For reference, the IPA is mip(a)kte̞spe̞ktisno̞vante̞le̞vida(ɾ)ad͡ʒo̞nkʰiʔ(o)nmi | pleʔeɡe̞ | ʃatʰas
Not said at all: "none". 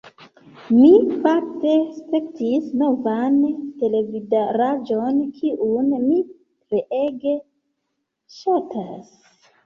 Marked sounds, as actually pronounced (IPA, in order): a, ɾ, u

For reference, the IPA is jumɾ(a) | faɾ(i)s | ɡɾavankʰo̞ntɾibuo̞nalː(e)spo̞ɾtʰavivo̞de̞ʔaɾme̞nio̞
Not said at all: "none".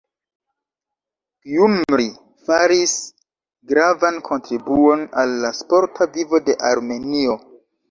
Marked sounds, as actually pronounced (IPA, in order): i, i, a

